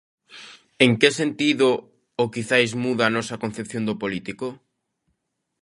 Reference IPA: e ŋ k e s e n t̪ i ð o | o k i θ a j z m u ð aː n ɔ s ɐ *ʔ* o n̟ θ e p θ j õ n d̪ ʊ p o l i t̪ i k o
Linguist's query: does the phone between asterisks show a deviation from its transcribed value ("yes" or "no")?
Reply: yes